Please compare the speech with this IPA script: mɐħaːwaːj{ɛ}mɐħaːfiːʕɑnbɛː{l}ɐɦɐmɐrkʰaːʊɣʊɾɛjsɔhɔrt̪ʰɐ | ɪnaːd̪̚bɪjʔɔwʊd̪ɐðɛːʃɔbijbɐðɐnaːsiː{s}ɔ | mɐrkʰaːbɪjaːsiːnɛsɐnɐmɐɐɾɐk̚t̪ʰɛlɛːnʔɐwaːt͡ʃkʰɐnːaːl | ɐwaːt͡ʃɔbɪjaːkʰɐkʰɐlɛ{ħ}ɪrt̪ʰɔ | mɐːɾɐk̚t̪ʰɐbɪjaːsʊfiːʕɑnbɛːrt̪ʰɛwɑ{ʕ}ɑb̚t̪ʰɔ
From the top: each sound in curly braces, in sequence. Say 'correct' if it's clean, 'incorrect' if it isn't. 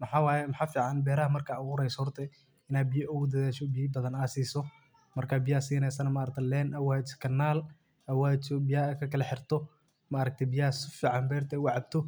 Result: correct, incorrect: ɾ, correct, correct, correct

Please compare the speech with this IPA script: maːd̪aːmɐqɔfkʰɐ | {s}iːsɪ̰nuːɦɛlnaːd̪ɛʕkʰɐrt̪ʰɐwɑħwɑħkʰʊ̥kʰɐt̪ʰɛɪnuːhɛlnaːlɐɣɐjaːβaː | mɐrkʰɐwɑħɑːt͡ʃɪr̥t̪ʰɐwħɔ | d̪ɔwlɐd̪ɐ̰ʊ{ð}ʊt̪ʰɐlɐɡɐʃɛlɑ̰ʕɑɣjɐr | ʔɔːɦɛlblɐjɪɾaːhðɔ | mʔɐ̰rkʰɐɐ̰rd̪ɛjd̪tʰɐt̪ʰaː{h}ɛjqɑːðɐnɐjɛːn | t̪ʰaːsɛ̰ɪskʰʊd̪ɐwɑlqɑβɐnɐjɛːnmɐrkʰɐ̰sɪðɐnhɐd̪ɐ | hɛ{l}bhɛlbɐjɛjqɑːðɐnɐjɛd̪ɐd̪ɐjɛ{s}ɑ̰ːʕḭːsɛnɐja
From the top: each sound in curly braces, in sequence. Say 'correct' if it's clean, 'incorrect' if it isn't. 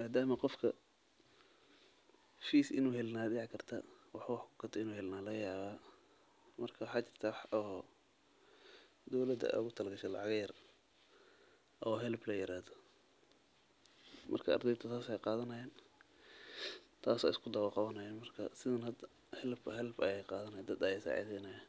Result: incorrect: f, incorrect: ɣ, incorrect: s, correct, correct

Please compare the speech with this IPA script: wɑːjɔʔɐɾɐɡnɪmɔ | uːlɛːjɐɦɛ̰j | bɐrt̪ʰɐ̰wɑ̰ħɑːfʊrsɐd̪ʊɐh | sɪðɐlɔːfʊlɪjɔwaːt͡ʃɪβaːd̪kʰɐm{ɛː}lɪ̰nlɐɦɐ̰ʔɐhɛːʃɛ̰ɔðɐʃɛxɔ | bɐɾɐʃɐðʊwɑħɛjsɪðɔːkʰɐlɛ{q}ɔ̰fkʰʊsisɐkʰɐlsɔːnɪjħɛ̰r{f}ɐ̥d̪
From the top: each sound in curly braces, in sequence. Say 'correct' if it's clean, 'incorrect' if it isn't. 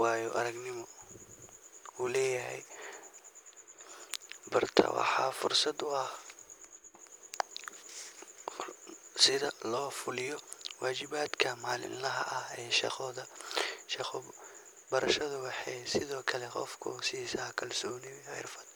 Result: incorrect: aː, correct, correct

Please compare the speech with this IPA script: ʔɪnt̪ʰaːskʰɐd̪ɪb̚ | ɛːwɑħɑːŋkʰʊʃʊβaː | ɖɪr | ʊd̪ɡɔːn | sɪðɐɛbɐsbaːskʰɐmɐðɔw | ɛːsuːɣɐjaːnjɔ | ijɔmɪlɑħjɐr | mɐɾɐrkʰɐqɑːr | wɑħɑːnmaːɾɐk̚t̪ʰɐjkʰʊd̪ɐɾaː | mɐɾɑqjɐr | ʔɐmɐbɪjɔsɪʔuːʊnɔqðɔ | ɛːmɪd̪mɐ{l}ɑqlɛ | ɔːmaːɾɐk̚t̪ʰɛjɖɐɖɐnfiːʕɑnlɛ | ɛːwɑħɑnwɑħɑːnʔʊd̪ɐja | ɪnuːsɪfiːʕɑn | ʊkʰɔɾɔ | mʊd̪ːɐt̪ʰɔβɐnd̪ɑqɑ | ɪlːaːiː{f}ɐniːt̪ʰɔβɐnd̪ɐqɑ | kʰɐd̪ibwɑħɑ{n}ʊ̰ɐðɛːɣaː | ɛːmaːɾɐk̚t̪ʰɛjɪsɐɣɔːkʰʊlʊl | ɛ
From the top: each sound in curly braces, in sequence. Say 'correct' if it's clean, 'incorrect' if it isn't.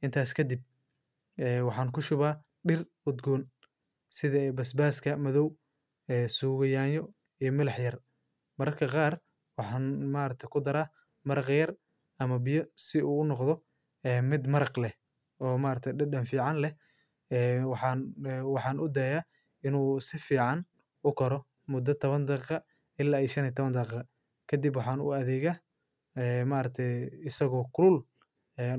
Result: incorrect: ɾ, incorrect: ʃ, correct

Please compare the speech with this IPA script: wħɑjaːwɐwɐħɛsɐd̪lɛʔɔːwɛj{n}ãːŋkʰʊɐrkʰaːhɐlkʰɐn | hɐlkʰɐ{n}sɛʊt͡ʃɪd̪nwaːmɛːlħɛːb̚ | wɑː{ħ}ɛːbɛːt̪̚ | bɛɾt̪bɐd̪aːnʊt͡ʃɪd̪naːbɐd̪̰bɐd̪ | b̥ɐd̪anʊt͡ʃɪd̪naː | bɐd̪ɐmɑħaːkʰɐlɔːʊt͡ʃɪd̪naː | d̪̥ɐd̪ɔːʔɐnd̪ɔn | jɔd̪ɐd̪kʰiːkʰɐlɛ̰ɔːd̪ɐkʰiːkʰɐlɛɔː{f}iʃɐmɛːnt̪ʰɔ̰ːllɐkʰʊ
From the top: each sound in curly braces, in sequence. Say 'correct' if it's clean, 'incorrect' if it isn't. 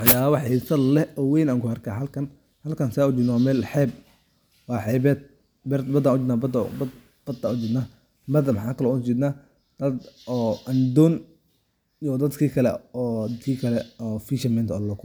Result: correct, correct, correct, correct

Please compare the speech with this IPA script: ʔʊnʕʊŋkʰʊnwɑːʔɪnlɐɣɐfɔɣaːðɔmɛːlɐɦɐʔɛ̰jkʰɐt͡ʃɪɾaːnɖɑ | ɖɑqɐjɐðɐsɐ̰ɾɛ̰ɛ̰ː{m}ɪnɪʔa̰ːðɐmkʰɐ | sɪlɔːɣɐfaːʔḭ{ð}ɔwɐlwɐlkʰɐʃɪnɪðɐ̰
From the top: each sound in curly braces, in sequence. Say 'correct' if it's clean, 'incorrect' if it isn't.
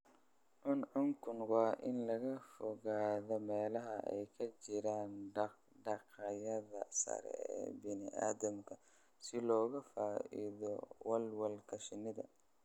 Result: incorrect: b, correct

